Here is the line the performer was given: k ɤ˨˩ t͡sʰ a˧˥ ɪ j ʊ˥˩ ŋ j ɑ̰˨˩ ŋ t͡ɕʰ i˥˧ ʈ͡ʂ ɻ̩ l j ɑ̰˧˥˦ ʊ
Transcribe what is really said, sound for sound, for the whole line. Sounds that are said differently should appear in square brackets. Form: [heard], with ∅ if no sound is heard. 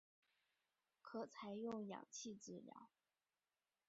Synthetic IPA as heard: [kʰ] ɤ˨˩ t͡sʰ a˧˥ ɪ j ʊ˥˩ ŋ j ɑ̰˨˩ ŋ t͡ɕʰ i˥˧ ʈ͡ʂ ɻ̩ l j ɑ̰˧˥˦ ʊ